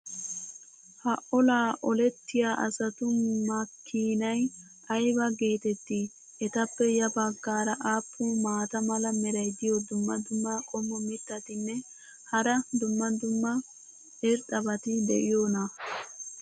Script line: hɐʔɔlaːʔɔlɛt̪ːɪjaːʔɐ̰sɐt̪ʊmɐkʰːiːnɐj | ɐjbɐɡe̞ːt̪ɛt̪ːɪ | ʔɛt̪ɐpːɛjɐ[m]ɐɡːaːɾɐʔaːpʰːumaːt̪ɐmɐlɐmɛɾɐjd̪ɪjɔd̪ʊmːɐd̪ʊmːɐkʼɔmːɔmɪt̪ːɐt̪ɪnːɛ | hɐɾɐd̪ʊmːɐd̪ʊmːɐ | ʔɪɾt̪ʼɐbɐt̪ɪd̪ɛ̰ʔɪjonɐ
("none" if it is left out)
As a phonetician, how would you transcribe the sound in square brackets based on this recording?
b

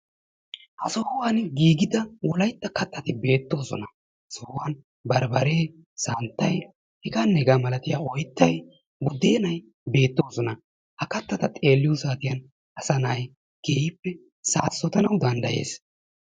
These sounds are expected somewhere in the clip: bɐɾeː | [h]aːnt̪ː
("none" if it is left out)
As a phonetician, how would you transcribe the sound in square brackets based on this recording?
s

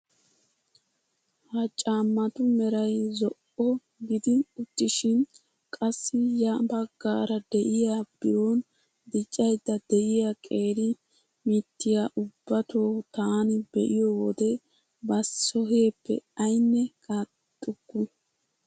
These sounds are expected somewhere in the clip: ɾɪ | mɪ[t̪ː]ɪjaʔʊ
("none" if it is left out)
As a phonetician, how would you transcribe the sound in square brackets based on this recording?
t̪ː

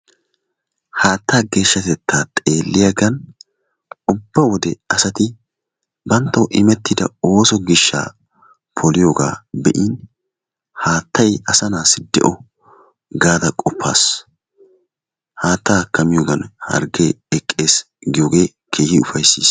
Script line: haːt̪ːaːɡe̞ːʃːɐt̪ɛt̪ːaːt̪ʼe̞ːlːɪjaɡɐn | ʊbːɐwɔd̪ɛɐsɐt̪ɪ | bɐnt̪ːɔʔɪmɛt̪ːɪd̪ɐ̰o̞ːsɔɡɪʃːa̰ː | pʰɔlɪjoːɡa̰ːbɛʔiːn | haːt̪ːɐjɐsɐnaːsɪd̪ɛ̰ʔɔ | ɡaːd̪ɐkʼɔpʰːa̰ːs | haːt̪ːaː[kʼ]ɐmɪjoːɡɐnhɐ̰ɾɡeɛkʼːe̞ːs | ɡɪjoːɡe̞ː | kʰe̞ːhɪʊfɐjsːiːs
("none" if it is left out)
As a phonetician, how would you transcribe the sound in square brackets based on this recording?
k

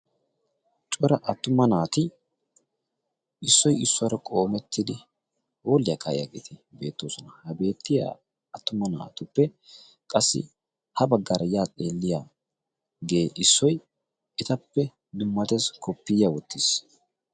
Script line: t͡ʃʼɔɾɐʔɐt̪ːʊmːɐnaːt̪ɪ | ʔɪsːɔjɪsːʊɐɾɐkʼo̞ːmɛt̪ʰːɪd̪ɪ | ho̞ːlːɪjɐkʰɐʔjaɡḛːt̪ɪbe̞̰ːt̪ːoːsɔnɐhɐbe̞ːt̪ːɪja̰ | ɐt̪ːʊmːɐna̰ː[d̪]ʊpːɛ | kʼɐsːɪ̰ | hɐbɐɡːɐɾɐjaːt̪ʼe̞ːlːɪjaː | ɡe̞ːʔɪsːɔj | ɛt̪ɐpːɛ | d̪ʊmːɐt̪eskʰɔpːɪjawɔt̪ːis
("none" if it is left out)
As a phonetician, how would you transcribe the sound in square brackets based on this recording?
t̪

